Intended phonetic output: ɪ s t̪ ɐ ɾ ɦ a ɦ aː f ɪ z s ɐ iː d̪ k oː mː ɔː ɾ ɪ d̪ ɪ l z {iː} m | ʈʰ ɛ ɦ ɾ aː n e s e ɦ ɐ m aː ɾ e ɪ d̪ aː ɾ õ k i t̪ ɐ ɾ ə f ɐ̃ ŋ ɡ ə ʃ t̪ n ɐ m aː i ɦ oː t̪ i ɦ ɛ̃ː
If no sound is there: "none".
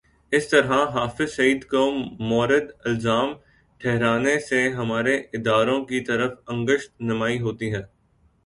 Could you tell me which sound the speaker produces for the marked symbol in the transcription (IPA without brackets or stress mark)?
aː